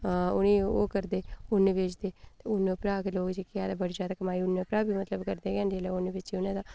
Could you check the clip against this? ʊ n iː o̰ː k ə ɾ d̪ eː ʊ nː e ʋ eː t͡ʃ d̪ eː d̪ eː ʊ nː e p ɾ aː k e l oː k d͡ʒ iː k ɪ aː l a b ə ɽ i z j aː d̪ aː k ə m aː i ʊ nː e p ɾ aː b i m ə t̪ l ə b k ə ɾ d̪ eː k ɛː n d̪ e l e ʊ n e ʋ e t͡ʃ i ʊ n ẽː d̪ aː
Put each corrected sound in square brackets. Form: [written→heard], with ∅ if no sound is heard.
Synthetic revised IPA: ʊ n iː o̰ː k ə ɾ d̪ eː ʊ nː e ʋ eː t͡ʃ d̪ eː [d̪→t̪] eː ʊ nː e p ɾ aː k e l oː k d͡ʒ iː k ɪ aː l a b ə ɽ i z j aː d̪ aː k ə m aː i ʊ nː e p ɾ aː b i m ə t̪ l ə b k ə ɾ d̪ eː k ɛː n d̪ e l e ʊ n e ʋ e t͡ʃ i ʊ n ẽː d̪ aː